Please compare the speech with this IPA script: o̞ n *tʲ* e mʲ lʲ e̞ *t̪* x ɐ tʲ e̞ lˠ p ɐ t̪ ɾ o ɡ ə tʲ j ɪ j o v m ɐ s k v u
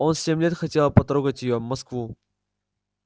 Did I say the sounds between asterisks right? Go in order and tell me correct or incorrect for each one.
incorrect: sʲ, correct

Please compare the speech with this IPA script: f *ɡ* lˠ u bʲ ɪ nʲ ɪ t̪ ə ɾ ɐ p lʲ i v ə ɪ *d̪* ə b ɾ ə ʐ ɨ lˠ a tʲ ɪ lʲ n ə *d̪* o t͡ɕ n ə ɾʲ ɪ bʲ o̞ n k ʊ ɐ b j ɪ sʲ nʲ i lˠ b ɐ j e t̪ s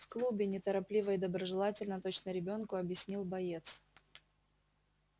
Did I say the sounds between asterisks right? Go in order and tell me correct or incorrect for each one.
incorrect: k, correct, incorrect: t̪

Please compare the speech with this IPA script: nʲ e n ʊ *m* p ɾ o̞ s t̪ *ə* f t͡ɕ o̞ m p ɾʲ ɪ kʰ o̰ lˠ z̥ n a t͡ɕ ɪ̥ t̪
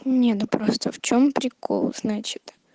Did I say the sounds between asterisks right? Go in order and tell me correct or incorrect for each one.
incorrect: none, correct

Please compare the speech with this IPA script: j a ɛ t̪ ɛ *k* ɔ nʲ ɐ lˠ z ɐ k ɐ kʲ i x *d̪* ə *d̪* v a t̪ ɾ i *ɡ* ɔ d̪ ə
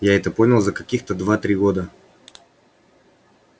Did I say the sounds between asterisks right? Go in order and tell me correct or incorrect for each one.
incorrect: p, incorrect: t̪, correct, correct

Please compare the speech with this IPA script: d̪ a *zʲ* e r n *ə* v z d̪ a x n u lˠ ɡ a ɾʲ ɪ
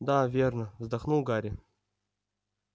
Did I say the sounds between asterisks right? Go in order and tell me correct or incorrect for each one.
incorrect: vʲ, correct

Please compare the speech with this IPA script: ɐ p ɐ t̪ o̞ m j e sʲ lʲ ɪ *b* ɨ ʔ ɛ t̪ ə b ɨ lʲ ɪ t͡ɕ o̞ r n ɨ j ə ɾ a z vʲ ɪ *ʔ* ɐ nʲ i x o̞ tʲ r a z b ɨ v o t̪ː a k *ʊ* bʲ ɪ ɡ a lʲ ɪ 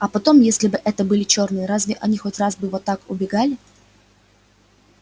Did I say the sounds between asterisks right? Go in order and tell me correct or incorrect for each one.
correct, correct, correct

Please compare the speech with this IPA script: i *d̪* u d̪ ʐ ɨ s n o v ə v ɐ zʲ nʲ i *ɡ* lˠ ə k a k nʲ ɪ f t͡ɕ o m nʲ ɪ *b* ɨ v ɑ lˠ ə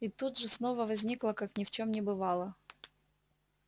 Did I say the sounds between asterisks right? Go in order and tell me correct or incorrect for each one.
incorrect: t̪, incorrect: k, correct

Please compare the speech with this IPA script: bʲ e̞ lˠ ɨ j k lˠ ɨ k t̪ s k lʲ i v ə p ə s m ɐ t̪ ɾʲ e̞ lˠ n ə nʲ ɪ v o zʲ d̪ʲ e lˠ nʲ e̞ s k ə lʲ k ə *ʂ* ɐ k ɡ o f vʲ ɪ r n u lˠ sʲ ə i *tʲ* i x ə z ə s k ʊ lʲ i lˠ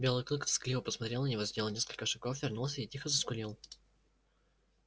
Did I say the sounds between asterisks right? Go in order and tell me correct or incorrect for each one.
correct, correct

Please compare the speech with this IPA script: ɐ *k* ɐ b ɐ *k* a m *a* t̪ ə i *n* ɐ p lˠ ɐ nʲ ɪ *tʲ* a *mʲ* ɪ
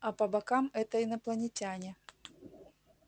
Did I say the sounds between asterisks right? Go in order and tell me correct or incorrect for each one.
incorrect: p, correct, incorrect: ɛ, correct, correct, incorrect: nʲ

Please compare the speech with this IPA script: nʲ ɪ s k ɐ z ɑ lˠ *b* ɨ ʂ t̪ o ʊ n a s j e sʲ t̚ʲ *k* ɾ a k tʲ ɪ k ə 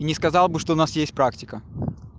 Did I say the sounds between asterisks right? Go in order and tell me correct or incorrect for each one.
correct, incorrect: p

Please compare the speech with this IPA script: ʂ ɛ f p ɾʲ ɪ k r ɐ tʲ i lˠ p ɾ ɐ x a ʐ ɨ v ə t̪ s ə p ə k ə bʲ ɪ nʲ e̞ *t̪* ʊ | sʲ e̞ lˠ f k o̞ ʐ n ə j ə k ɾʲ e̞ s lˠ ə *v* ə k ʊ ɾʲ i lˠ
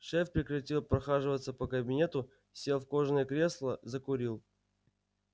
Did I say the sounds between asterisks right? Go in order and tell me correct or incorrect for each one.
correct, incorrect: z

